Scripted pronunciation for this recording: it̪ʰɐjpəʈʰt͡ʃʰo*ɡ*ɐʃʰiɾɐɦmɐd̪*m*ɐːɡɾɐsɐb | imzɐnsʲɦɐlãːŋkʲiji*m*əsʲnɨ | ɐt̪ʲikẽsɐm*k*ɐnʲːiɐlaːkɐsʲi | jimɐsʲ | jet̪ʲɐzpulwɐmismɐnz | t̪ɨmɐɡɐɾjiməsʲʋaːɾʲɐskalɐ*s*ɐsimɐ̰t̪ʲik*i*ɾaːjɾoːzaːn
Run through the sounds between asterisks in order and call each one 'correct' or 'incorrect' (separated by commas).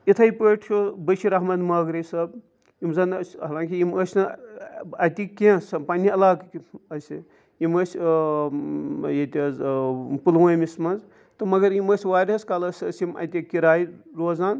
incorrect, correct, correct, incorrect, correct, correct